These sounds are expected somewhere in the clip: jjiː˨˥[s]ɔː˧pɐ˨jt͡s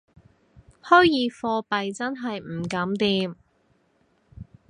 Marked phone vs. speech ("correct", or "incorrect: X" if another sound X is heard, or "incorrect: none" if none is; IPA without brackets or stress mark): incorrect: f